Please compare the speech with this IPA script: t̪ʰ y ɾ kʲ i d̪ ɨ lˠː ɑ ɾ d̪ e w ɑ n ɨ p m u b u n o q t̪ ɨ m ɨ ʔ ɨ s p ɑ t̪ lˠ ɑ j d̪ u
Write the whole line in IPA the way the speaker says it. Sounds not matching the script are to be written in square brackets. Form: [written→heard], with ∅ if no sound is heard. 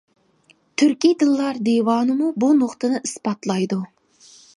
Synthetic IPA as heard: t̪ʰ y ɾ kʲ i d̪ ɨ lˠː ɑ ɾ d̪ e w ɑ n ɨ [p→∅] m u b u n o q t̪ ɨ [m→n] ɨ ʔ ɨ s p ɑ t̪ lˠ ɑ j d̪ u